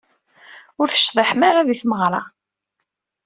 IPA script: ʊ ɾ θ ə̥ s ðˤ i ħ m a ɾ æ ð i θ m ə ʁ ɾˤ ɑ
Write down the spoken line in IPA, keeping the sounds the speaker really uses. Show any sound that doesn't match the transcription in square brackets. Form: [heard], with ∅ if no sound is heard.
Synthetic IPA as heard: ʊ ɾ θ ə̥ [ʃ] ðˤ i ħ m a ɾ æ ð i θ m ə ʁ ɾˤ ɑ